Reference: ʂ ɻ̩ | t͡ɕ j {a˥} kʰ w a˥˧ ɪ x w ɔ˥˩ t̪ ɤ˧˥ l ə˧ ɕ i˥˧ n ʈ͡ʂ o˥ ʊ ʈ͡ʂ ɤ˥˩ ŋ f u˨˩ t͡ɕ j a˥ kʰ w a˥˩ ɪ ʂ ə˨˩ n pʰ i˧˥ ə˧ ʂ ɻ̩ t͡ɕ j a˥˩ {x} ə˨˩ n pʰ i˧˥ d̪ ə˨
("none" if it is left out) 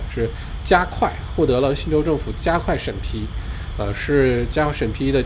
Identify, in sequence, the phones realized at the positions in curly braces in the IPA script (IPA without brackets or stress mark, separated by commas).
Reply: a˥, ʂ